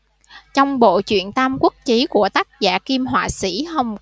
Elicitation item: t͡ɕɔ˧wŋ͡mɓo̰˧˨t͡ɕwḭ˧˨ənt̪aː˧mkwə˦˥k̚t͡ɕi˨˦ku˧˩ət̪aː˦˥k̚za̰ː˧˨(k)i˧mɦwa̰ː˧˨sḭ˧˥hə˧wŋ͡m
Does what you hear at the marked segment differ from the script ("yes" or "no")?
no